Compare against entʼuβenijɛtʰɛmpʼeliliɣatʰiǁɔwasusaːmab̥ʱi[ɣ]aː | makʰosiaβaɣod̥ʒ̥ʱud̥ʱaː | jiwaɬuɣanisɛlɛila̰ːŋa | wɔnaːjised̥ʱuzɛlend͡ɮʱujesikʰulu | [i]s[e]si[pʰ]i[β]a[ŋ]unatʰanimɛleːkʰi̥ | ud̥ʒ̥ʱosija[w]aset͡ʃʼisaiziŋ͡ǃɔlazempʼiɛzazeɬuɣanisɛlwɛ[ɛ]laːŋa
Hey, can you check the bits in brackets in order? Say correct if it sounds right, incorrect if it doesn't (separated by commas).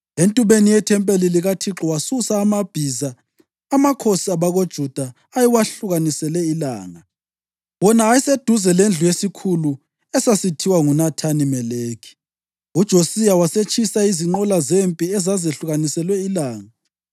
incorrect, incorrect, incorrect, incorrect, incorrect, correct, correct, incorrect